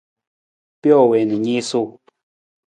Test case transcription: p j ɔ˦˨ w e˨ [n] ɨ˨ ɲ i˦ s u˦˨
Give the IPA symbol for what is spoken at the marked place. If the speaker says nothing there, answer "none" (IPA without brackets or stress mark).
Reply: n